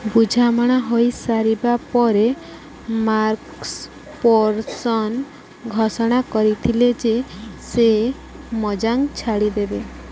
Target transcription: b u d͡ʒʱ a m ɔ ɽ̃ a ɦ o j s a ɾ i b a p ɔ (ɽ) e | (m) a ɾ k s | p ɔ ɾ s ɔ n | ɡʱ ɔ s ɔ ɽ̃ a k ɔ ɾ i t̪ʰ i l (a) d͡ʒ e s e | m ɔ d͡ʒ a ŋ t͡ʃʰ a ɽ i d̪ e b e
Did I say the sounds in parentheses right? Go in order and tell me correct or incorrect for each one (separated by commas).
incorrect, correct, incorrect